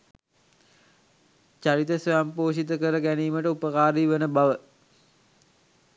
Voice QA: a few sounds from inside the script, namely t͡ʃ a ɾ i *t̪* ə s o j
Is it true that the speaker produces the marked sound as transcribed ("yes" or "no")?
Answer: yes